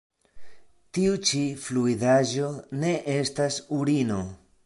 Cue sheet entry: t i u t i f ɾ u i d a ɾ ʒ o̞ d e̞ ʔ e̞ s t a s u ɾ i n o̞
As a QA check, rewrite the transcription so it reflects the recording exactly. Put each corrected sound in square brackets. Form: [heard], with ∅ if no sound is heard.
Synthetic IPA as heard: t i u [t͡ʃ] i f [l] u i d a [∅] ʒ o̞ [n] e̞ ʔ e̞ s t a s u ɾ i n o̞